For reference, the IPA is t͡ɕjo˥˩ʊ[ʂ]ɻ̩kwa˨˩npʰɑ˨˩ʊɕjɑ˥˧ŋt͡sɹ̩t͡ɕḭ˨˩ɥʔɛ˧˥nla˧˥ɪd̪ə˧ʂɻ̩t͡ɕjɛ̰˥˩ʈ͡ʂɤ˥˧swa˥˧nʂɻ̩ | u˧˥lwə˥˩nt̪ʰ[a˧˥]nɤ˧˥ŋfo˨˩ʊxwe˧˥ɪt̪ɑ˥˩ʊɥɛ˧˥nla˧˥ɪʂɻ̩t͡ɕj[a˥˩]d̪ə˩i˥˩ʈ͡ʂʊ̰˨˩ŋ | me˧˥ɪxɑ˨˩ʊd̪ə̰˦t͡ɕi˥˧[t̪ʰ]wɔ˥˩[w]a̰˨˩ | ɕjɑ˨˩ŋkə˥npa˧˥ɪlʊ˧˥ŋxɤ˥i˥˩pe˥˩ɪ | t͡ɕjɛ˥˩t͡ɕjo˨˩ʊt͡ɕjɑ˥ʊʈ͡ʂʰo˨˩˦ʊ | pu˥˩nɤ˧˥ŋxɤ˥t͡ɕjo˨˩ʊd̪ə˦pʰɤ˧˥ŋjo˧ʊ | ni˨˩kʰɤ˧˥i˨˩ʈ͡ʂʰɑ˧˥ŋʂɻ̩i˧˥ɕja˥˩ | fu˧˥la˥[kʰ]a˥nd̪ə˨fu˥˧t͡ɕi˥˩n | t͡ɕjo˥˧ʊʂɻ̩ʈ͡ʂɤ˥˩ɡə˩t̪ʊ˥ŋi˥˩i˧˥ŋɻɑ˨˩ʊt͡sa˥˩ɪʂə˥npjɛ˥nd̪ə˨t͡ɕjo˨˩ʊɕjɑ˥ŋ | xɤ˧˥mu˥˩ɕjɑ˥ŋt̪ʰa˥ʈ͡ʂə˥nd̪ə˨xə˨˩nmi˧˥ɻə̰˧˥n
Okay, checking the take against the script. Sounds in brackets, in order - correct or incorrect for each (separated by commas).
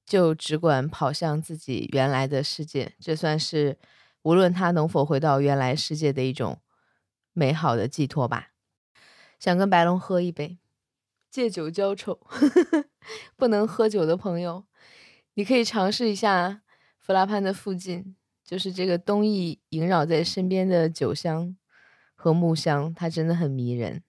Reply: incorrect, incorrect, incorrect, correct, incorrect, incorrect